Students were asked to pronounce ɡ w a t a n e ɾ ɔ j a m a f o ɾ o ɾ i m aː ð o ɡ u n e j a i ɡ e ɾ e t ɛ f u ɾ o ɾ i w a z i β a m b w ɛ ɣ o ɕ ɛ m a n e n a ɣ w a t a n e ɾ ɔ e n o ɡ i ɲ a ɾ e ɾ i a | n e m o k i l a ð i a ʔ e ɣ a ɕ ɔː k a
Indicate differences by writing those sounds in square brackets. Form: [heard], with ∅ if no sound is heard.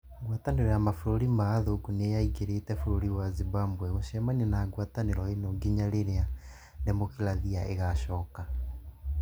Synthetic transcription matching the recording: ɡ w a t a n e ɾ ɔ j a m a f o ɾ o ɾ i m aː ð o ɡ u n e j a i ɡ e ɾ e t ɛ f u ɾ o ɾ i w a z i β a m b w ɛ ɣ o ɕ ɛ m a n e n a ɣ w a t a n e ɾ ɔ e n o ɡ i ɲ a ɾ e ɾ [e] a | n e m o k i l a ð i a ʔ e ɣ a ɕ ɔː k a